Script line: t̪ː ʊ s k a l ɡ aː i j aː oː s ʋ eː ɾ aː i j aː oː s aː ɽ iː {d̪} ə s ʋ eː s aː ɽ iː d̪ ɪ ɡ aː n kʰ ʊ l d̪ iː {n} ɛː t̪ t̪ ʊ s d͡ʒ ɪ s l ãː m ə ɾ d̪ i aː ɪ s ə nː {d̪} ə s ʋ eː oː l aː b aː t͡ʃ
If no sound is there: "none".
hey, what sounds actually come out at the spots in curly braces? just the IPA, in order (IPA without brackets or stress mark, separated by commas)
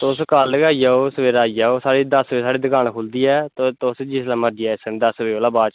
d̪, none, d̪